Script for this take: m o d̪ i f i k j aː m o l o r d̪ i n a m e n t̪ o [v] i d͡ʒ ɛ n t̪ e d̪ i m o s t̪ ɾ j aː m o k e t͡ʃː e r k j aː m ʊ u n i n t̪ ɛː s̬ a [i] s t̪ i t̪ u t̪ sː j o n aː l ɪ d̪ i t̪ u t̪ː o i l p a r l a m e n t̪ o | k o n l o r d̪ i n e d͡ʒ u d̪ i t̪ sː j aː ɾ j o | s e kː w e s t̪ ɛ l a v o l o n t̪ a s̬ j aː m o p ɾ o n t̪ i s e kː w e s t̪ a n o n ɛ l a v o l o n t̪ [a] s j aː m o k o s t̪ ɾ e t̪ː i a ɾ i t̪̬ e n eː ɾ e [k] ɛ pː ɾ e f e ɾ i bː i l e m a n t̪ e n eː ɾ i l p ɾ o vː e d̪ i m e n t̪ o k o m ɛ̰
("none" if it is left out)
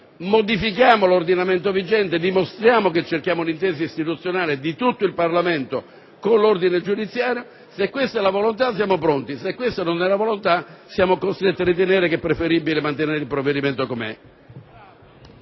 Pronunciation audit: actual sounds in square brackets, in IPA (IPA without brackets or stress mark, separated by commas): v, i, a, k